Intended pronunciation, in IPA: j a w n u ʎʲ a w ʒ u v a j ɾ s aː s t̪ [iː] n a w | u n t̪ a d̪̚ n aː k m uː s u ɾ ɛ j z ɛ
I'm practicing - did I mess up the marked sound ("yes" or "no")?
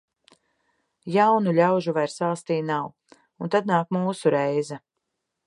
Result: no